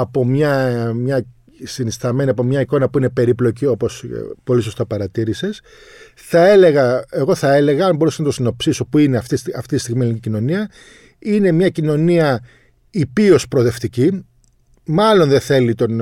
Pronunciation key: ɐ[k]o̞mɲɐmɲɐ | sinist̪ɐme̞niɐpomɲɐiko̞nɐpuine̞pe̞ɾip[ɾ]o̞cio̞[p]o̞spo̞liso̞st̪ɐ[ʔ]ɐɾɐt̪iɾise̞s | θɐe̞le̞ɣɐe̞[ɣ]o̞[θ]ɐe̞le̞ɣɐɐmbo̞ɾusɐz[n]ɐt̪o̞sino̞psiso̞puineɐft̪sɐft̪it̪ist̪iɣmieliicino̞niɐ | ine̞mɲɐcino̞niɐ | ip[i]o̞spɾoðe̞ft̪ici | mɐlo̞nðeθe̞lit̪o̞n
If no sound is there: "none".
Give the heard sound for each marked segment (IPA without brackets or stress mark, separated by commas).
p, l, p, p, ɣ, θ, n, i